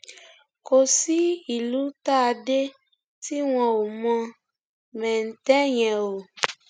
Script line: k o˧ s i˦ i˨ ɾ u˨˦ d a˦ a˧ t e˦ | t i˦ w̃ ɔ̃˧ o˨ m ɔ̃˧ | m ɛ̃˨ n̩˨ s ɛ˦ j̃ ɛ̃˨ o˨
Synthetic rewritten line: k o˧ s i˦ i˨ l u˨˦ t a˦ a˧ d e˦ | t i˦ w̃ ɔ̃˧ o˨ m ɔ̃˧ | m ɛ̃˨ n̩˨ t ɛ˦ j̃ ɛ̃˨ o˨